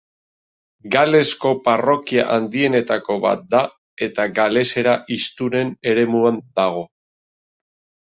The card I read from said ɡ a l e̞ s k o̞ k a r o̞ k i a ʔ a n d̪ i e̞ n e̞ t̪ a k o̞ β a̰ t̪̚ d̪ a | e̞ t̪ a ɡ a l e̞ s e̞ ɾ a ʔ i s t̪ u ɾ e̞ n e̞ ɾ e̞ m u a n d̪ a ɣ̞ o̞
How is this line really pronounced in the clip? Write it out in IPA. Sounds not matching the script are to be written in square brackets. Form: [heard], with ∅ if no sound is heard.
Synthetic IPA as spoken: ɡ a l e̞ s k o̞ [p] a r o̞ k i a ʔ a n d̪ i e̞ n e̞ t̪ a k o̞ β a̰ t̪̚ d̪ a | e̞ t̪ a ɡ a l e̞ s e̞ ɾ a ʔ i s t̪ u ɾ e̞ n e̞ ɾ e̞ m u a n d̪ a ɣ̞ o̞

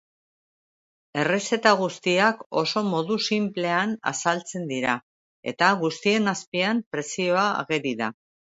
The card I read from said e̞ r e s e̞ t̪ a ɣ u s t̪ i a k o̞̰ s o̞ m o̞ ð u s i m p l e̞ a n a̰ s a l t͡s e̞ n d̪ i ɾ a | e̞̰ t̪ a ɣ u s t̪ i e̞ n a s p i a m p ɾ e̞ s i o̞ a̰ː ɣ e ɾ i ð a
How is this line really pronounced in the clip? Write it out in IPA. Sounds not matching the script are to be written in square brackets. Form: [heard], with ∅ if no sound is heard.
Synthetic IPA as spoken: e̞ r e s e̞ t̪ a ɣ u s t̪ i a k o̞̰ s o̞ m o̞ ð u s i m p l e̞ a n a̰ s a l t͡s e̞ n d̪ i ɾ a | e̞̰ t̪ a ɣ u s t̪ i e̞ n a s p i a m p ɾ e̞ s i o̞ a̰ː ɣ e ɾ i ð a

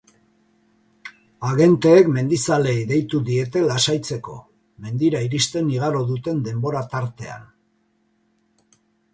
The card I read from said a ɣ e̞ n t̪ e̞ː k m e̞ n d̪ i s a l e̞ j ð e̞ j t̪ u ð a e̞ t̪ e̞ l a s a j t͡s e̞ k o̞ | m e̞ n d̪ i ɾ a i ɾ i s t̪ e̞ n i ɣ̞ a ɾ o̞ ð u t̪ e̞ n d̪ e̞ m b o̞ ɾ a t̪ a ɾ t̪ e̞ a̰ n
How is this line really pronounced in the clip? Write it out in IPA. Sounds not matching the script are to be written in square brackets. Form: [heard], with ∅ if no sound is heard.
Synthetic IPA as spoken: a ɣ e̞ n t̪ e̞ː k m e̞ n d̪ i s a l e̞ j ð e̞ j t̪ u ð [i] e̞ t̪ e̞ l a s a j t͡s e̞ k o̞ | m e̞ n d̪ i ɾ a i ɾ i s t̪ e̞ n i ɣ̞ a ɾ o̞ ð u t̪ e̞ n d̪ e̞ m b o̞ ɾ a t̪ a ɾ t̪ e̞ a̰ n

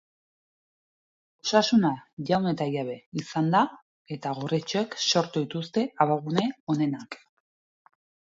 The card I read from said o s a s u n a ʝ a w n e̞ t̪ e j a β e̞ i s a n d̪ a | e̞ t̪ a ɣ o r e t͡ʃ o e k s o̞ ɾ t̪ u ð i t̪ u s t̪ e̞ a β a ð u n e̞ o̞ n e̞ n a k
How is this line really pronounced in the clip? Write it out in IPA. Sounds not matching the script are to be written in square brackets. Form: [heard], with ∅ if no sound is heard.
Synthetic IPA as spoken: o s a s u n a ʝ a w n e̞ t̪ [a] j a β e̞ i s a n d̪ a | e̞ t̪ a ɣ o r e t͡ʃ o e k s o̞ ɾ t̪ u ð i t̪ u s t̪ e̞ a β a [ɣ] u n e̞ o̞ n e̞ n a k

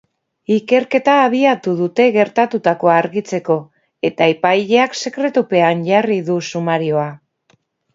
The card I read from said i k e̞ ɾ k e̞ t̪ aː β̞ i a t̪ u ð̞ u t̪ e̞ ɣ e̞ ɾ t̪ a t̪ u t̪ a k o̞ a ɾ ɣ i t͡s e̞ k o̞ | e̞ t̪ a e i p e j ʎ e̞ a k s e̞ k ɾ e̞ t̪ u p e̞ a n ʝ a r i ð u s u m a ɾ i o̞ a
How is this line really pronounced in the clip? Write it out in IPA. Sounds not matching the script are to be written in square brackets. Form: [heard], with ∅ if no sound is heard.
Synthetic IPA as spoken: i k e̞ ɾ k e̞ t̪ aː β̞ i a t̪ u ð̞ u t̪ e̞ ɣ e̞ ɾ t̪ a t̪ u t̪ a k o̞ a ɾ ɣ i t͡s e̞ k o̞ | e̞ t̪ a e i p [a] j ʎ e̞ a k s e̞ k ɾ e̞ t̪ u p e̞ a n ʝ a r i ð u s u m a ɾ i o̞ a

